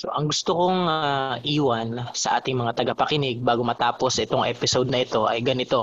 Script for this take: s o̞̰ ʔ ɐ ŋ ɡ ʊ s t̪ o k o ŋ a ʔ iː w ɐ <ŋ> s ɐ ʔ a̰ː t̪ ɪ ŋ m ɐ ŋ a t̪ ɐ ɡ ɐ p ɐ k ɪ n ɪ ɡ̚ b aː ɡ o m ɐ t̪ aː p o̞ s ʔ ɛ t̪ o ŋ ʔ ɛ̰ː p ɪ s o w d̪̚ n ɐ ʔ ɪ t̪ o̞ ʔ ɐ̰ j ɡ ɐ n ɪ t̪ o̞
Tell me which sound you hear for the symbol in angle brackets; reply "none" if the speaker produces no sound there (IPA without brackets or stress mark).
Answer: n